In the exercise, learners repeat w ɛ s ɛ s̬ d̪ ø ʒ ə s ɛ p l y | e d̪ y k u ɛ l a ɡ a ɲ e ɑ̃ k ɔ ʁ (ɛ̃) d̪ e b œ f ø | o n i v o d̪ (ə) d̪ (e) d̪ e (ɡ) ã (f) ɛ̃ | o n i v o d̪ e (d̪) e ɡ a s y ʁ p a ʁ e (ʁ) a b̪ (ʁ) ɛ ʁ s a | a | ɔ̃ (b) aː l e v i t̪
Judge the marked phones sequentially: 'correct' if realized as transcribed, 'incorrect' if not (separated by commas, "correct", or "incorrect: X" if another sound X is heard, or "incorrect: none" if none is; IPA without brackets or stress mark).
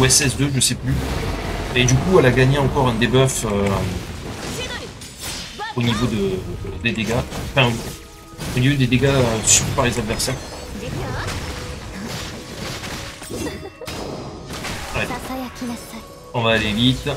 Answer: correct, correct, correct, correct, correct, correct, incorrect: z, incorrect: v, incorrect: v